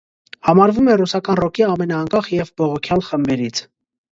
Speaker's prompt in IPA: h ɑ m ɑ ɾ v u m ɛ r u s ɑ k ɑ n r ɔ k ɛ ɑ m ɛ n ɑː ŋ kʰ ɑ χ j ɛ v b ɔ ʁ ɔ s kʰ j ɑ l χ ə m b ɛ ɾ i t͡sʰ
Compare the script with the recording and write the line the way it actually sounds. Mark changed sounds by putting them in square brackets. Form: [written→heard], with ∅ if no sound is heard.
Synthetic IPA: h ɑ m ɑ ɾ v u m ɛ r u s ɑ k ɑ n r ɔ k [ɛ→i] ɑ m ɛ n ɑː ŋ [kʰ→k] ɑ χ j ɛ v b ɔ ʁ ɔ [s→∅] kʰ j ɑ l χ ə m b ɛ ɾ i t͡sʰ